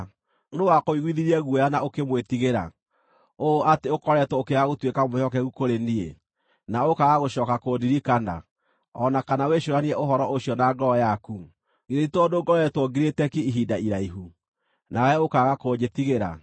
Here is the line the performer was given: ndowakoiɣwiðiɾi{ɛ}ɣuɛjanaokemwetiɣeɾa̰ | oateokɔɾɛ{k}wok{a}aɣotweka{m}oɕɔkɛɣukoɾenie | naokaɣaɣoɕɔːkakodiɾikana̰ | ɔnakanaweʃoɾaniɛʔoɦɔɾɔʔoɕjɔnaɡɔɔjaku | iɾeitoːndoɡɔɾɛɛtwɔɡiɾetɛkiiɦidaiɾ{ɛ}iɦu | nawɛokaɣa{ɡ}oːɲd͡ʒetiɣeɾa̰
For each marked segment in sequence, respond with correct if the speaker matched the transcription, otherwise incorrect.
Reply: correct, incorrect, incorrect, correct, incorrect, incorrect

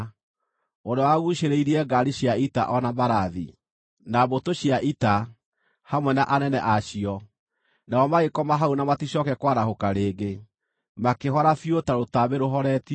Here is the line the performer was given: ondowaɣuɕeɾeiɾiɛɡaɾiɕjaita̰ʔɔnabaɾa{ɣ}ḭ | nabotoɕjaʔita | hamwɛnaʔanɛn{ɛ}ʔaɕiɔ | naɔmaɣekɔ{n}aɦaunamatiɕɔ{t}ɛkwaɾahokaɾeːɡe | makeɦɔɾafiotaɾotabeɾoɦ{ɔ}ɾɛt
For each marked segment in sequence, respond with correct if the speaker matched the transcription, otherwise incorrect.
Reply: incorrect, correct, incorrect, incorrect, correct

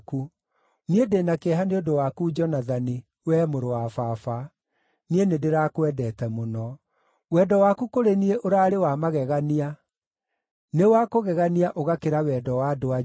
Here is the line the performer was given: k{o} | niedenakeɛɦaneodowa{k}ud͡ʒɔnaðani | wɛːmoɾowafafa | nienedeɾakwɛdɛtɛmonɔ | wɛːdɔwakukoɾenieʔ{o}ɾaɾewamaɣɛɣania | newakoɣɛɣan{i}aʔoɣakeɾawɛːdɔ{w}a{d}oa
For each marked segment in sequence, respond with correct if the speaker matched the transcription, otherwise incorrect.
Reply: incorrect, correct, correct, correct, correct, correct

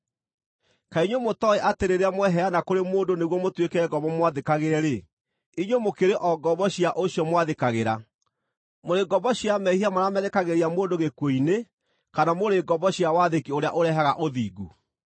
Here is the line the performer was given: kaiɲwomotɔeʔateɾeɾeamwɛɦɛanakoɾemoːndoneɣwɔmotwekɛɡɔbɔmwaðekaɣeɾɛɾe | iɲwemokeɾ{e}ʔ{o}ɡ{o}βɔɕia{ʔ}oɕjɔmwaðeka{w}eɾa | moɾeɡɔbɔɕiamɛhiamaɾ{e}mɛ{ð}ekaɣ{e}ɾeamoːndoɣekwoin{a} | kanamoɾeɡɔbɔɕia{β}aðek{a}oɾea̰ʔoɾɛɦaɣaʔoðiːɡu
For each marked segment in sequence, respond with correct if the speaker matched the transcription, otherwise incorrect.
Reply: correct, incorrect, incorrect, correct, incorrect, incorrect, correct, correct, incorrect, incorrect, incorrect

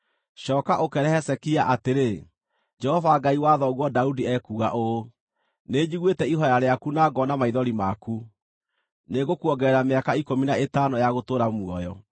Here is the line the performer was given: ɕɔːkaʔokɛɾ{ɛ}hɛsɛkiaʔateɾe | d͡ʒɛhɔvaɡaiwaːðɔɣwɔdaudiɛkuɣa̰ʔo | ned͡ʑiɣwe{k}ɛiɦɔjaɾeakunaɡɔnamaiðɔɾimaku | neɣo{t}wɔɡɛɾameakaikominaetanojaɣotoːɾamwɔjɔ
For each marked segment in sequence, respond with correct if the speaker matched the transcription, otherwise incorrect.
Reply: correct, incorrect, incorrect

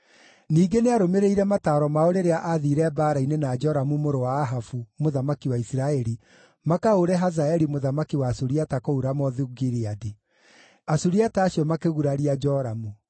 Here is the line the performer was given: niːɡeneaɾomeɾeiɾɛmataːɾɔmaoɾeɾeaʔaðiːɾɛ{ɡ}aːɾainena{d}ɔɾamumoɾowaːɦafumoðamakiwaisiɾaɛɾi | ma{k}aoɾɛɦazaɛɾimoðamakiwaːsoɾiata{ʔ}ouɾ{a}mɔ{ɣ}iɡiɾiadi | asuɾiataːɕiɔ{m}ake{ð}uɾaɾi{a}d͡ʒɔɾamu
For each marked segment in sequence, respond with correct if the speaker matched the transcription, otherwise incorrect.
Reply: incorrect, incorrect, correct, incorrect, correct, incorrect, correct, incorrect, correct

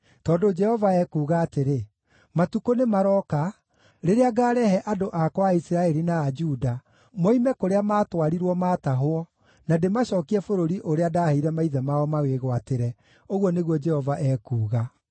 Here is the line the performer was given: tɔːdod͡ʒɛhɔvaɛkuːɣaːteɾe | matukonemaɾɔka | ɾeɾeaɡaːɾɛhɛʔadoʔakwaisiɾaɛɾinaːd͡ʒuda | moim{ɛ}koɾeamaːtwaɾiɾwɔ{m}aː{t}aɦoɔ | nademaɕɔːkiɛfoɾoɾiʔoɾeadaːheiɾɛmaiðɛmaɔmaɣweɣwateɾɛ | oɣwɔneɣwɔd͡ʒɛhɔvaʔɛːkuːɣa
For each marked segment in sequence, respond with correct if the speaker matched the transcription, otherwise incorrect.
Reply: correct, correct, correct

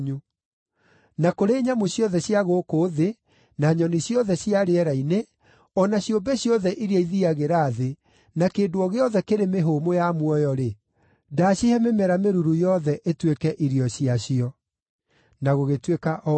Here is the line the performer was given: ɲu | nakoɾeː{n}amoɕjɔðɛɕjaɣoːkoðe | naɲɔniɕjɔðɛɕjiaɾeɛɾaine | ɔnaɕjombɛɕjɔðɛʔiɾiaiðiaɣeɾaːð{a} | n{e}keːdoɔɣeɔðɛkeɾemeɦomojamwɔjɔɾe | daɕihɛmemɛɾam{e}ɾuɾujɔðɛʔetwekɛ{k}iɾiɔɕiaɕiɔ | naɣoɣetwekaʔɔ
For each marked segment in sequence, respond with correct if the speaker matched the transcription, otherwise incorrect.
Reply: incorrect, incorrect, incorrect, correct, incorrect

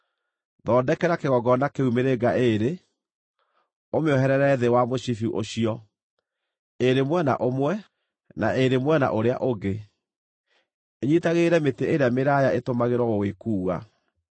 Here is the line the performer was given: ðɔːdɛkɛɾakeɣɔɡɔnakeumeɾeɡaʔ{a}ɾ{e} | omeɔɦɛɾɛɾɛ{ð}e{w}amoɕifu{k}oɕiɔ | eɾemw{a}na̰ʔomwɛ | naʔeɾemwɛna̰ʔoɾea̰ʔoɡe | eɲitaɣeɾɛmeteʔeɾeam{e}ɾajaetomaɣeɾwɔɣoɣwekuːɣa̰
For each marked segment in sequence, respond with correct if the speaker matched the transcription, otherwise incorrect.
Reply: incorrect, correct, correct, correct, incorrect, incorrect, correct

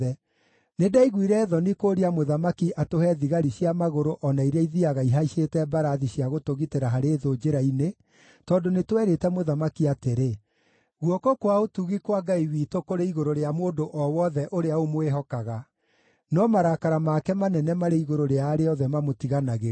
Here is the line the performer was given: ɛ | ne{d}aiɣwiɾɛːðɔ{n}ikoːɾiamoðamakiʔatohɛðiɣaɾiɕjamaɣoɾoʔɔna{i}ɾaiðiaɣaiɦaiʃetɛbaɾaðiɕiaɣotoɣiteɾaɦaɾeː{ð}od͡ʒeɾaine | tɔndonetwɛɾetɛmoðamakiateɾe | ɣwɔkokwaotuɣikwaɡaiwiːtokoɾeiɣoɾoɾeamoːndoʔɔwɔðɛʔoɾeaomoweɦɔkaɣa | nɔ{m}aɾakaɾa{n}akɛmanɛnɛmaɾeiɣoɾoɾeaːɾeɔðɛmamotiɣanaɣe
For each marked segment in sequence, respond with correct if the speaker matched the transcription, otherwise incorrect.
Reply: correct, correct, correct, correct, correct, incorrect

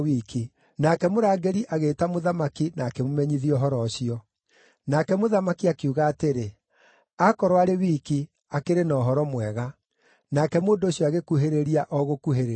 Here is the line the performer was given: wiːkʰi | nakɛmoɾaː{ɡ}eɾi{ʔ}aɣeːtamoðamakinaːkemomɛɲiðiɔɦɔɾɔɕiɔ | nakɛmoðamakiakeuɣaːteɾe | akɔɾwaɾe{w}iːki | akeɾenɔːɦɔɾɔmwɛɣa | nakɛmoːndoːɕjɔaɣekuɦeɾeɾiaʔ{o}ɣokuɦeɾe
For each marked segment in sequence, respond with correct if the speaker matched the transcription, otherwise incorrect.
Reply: correct, correct, correct, incorrect

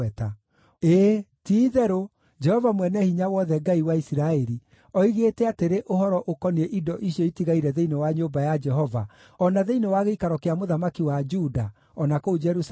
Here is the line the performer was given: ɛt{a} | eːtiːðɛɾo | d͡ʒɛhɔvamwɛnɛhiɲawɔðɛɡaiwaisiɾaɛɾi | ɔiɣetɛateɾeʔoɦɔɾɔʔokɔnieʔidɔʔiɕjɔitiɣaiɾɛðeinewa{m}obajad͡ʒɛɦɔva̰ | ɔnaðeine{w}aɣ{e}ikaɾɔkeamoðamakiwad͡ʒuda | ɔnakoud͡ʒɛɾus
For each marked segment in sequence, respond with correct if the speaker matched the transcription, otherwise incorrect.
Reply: correct, incorrect, correct, correct

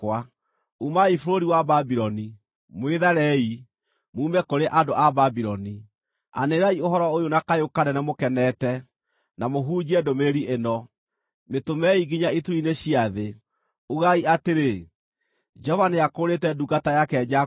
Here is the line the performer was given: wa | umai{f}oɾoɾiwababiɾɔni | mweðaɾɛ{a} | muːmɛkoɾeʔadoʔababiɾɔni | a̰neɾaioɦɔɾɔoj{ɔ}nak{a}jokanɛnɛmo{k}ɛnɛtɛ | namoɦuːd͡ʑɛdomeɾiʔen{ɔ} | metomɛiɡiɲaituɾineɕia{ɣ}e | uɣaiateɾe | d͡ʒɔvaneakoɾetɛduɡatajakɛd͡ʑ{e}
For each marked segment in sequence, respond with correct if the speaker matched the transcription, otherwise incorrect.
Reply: correct, incorrect, incorrect, correct, correct, correct, incorrect, incorrect

